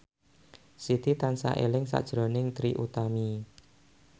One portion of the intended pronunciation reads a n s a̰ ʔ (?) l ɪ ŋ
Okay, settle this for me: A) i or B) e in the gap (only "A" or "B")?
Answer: B